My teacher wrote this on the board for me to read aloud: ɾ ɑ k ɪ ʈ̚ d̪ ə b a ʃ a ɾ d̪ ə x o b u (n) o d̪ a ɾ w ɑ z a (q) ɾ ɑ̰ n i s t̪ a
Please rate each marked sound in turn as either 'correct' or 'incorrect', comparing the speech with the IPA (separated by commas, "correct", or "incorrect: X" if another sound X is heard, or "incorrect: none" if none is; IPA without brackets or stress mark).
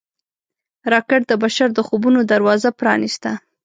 correct, incorrect: p